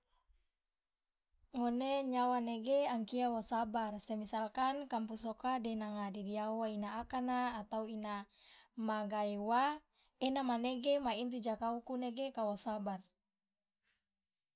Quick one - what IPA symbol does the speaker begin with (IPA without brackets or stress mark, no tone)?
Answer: ŋ